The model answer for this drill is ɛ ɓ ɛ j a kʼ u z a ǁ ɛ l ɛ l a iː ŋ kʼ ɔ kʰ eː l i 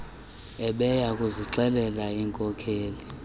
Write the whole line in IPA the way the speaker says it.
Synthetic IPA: ɛ ɓ ɛ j a kʼ u z i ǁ ɛ l ɛ l a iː ŋ kʼ ɔ kʰ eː l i